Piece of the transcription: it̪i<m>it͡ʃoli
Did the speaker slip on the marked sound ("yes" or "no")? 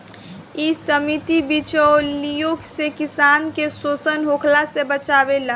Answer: yes